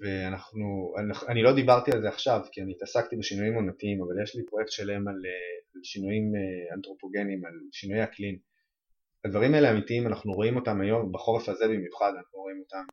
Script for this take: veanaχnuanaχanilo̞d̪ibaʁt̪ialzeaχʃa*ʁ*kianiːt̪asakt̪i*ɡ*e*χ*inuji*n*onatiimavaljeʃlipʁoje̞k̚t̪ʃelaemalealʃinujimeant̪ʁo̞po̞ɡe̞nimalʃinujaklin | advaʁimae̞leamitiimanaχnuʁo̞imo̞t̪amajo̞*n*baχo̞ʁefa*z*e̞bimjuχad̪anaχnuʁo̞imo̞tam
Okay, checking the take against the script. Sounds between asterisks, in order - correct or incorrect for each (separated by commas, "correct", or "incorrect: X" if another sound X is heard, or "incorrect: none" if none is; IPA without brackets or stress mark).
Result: incorrect: v, incorrect: b, incorrect: ʃ, incorrect: m, incorrect: m, correct